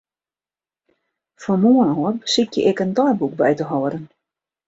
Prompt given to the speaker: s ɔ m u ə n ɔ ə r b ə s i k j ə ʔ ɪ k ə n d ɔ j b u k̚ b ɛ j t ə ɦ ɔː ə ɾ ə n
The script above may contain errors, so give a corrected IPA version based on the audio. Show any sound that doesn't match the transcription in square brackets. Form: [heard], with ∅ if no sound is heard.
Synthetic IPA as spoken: [f] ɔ m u ə n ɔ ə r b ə s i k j ə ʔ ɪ k ə n d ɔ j b u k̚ b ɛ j t ə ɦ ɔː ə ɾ ə n